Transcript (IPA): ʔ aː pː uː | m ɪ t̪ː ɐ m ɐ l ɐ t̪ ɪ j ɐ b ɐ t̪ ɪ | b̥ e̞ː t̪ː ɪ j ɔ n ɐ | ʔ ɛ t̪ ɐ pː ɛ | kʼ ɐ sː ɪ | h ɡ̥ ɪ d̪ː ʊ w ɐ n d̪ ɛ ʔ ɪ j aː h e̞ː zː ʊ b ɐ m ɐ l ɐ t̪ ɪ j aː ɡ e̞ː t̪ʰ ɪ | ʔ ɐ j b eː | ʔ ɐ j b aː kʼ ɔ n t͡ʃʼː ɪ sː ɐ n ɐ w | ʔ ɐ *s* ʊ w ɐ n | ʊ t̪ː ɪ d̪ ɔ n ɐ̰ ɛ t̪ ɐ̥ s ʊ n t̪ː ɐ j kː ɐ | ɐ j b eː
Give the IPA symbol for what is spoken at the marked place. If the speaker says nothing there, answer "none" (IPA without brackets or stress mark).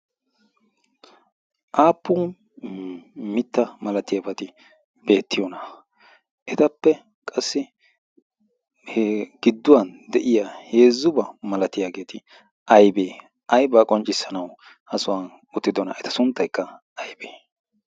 s